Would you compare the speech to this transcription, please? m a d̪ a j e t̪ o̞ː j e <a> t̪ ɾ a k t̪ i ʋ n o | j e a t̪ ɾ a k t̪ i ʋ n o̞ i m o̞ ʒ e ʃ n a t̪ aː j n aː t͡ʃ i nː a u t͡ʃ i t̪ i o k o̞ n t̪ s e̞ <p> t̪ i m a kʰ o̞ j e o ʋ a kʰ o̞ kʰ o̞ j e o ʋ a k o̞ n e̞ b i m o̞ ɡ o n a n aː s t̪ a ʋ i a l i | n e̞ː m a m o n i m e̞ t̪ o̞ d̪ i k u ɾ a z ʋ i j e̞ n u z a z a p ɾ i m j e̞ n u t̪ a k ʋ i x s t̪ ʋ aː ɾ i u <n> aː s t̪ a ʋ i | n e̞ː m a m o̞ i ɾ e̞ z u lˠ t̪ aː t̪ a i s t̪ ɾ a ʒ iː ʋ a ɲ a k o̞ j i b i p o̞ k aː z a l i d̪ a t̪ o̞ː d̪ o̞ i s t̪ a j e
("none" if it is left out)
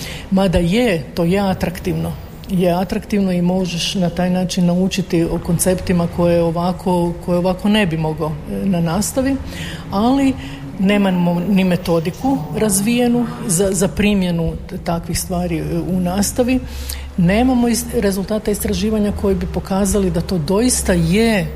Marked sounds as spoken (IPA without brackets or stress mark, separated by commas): a, p, n